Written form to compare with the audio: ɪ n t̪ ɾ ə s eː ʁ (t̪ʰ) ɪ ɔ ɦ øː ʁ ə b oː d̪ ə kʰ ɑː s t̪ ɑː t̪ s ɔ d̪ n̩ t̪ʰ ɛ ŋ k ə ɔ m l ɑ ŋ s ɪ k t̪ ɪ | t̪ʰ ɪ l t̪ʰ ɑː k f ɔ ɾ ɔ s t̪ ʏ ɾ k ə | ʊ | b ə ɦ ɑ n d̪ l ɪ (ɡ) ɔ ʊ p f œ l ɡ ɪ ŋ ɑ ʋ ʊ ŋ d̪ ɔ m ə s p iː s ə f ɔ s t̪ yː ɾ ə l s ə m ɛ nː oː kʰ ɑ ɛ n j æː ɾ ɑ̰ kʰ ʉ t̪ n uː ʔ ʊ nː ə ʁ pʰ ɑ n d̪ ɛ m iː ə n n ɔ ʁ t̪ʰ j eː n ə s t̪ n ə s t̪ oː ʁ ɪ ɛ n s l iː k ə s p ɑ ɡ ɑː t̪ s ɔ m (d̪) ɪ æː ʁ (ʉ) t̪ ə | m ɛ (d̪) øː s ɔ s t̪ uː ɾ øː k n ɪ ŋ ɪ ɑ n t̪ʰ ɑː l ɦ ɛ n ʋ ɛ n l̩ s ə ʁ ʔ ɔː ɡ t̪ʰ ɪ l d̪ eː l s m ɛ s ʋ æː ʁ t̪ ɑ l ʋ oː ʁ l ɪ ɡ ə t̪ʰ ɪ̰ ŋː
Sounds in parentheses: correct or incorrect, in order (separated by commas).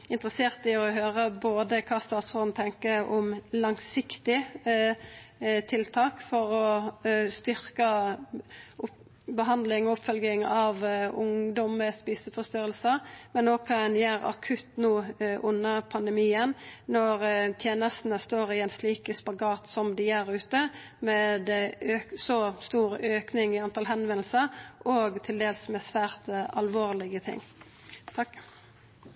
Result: incorrect, incorrect, correct, incorrect, correct